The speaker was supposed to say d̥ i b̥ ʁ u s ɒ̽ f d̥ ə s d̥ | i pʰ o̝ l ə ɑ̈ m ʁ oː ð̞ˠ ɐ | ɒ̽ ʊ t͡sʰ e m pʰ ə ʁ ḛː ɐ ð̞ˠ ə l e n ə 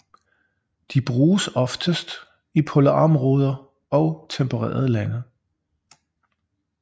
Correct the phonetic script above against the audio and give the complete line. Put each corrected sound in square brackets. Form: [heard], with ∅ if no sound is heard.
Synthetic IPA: d̥ i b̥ ʁ [uː] s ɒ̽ f d̥ ə s d̥ | i pʰ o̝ l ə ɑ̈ m ʁ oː ð̞ˠ ɐ | ɒ̽ ʊ t͡sʰ e m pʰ ə ʁ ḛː ɐ ð̞ˠ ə l [æ] n ə